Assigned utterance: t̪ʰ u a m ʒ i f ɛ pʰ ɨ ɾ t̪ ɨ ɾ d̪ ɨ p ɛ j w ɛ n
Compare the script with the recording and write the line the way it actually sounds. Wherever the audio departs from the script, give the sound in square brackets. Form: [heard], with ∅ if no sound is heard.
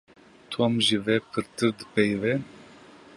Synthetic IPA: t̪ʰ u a m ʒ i [v] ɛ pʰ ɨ ɾ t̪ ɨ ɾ d̪ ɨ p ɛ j [v] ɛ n